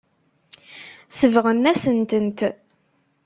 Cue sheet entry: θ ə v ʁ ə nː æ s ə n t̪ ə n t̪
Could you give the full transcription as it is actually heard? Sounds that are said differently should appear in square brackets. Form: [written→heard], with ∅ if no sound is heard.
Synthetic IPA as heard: [θ→s] ə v ʁ ə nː æ s ə n t̪ ə n t̪